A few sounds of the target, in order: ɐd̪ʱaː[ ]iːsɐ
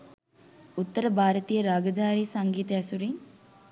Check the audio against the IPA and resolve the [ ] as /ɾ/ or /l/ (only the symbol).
ɾ